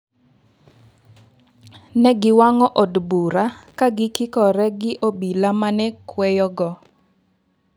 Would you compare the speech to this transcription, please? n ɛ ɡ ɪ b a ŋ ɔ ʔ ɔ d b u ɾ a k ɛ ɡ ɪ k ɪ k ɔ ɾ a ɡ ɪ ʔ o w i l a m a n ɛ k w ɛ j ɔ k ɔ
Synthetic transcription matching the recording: n ɛ ɡ ɪ w a ŋ ɔ ʔ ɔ d b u ɾ a k a ɡ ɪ k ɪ k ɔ ɾ ɛ ɡ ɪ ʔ o b i l a m a n ɛ k w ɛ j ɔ ɡ ɔ